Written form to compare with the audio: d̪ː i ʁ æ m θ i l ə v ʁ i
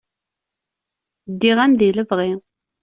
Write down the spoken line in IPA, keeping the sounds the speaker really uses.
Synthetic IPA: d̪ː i ʁ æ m ð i l ə v ʁ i